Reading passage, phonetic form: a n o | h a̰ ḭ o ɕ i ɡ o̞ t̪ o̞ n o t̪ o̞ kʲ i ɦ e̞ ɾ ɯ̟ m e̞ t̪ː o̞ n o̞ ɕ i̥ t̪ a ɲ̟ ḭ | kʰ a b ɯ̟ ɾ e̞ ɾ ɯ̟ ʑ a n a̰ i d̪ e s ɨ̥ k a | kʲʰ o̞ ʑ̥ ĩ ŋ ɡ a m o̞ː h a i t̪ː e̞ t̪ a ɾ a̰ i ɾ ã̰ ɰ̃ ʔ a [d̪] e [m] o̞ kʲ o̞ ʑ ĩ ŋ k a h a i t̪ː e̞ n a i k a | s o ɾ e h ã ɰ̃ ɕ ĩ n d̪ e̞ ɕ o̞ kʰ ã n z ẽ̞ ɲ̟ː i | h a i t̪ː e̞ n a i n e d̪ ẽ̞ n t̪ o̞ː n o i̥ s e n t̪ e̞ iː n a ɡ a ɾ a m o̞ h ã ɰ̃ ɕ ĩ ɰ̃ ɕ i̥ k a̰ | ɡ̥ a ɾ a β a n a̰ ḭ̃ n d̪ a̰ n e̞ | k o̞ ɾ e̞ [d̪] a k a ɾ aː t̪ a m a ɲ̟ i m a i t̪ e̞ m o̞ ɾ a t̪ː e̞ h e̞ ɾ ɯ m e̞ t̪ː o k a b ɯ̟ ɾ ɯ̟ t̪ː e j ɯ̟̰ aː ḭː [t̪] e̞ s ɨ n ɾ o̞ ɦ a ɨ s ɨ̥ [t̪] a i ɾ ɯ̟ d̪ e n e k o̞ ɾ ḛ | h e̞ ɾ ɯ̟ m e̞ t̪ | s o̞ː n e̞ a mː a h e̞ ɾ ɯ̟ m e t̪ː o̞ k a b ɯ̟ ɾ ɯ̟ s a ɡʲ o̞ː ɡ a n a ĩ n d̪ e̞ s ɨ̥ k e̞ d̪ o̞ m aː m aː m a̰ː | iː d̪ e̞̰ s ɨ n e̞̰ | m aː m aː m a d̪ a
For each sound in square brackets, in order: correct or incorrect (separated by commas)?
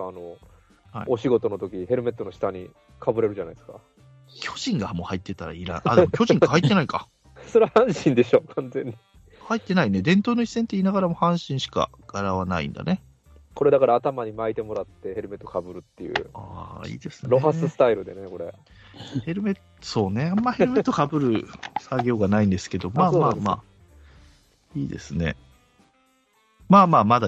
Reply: correct, correct, correct, incorrect, correct